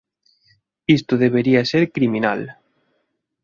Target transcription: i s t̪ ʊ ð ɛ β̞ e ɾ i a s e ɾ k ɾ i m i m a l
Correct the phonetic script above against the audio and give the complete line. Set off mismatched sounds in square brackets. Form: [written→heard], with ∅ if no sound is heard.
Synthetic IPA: i s t̪ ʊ ð [ɛ→e] β̞ e ɾ i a s e ɾ k ɾ i m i [m→n] a l